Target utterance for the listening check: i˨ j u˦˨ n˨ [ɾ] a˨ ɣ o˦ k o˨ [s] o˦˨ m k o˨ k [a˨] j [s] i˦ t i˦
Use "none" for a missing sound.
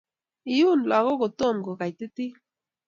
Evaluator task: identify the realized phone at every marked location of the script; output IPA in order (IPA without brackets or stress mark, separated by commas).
l, t, a˨, t